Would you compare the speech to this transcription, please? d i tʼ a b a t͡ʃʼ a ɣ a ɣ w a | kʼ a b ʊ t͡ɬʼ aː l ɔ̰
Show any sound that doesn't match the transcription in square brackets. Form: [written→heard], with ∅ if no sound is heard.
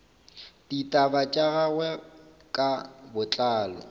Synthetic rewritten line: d i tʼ a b a t͡ʃʼ a ɣ a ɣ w [a→ɛ] | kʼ a b ʊ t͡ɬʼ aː l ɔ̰